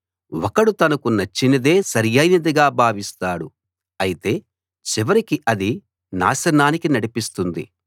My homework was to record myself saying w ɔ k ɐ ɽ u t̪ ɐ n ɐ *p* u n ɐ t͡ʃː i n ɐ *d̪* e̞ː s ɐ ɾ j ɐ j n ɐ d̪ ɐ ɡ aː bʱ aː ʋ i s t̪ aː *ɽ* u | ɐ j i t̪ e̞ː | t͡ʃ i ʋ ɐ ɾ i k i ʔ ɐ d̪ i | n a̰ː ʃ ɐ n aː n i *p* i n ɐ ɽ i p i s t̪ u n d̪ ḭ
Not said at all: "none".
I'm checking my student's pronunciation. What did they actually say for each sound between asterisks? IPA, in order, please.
k, d̪, ɽ, k

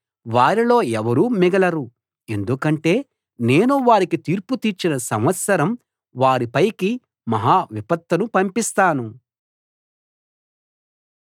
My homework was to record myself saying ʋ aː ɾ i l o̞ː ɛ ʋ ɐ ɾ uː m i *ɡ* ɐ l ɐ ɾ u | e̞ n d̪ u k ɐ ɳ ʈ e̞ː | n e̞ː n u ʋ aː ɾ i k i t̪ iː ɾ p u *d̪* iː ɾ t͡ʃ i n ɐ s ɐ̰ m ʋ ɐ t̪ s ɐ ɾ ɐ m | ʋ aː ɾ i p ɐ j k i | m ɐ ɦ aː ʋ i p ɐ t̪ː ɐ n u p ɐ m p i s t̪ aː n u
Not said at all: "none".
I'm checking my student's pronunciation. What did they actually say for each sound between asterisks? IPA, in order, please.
ɡ, t̪

